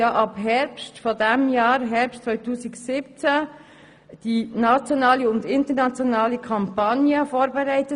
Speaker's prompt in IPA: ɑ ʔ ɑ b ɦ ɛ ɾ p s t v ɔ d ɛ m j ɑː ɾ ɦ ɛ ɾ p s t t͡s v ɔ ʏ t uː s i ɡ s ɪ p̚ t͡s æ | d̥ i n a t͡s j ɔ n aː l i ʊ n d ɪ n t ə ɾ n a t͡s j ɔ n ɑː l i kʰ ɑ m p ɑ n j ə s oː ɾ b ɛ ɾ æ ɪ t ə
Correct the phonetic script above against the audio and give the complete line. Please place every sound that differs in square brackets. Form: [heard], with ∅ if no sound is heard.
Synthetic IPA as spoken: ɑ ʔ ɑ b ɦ ɛ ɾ p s t [f] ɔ d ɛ m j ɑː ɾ ɦ ɛ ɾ p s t t͡s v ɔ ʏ t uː s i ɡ s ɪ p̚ t͡s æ | d̥ i n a t͡s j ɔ n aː l i ʊ n d ɪ n t ə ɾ n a t͡s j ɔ n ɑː l i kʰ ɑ m p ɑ n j ə [f] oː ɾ b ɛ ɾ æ ɪ t ə